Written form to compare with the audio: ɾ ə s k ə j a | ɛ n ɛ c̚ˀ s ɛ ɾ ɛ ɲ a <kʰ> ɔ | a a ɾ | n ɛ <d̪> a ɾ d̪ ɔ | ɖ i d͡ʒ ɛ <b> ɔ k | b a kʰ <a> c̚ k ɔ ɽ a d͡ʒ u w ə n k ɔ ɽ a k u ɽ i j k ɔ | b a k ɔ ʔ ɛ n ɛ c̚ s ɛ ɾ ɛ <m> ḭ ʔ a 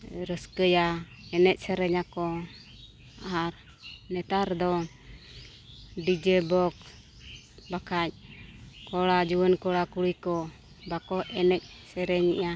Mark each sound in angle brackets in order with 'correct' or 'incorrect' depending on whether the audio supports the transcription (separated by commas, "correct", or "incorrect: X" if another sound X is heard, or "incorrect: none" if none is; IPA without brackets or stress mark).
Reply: incorrect: k, incorrect: t̪, correct, correct, incorrect: ɲ